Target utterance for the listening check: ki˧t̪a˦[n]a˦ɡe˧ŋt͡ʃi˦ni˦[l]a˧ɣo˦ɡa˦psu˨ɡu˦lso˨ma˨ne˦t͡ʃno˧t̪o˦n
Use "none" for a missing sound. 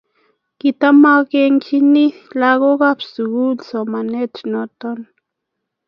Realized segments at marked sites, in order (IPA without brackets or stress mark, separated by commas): m, l